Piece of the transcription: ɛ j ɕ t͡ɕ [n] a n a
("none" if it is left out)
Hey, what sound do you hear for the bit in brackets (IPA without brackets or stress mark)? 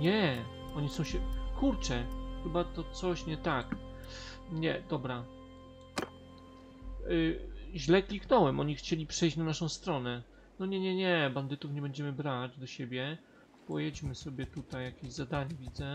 n